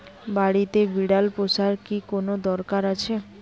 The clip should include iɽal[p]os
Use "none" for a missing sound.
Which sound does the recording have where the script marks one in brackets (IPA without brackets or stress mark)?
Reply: p